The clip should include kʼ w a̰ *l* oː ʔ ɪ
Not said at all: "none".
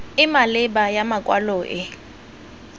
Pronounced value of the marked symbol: l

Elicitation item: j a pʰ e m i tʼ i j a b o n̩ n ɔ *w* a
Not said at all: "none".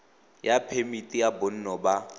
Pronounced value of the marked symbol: b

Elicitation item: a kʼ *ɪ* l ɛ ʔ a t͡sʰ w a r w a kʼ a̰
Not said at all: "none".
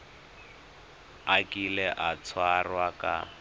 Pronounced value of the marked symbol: i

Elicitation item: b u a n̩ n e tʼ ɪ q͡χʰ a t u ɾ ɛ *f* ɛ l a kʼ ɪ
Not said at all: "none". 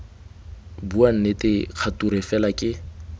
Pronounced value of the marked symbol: f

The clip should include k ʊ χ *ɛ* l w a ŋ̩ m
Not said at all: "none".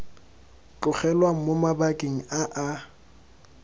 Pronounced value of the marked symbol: ɛ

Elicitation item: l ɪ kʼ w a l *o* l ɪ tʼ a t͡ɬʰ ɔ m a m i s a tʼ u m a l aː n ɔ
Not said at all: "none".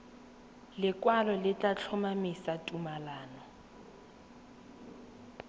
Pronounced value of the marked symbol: ɔ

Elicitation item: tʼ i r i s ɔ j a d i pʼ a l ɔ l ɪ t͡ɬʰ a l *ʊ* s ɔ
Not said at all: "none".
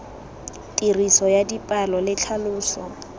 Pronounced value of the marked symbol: ʊː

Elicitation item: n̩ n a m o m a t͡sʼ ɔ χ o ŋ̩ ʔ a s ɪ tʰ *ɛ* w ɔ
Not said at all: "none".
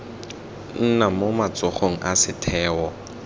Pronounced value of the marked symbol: ɛː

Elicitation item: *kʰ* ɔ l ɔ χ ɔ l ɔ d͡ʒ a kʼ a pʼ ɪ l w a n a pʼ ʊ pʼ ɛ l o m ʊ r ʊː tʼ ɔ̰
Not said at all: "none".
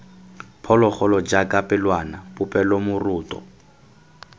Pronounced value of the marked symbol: pʰ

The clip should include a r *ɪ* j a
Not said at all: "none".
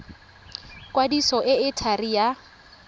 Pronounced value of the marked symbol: i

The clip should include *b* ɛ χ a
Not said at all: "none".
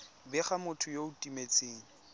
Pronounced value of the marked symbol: b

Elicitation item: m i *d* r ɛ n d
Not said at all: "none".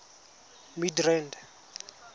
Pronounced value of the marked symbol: d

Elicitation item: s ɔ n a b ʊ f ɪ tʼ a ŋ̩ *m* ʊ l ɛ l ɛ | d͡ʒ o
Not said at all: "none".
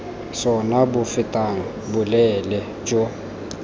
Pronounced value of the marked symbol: b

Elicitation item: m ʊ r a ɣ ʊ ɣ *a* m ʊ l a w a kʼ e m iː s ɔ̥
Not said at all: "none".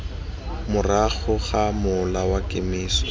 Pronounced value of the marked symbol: a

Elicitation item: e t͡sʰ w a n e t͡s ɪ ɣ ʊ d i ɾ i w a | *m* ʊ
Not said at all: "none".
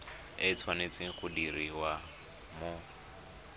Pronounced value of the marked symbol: m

